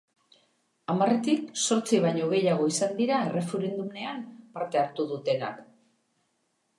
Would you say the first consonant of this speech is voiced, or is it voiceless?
voiced